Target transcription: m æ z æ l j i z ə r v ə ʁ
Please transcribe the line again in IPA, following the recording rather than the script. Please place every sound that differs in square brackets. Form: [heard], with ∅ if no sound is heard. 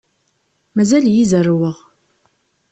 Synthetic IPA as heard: m æ z æ l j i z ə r [w] ə ʁ